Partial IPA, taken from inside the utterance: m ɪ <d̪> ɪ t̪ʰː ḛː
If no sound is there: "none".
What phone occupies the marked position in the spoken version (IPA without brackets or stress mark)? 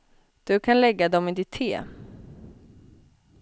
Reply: d̪